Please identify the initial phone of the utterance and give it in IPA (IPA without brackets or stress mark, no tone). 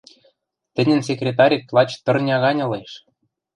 t̪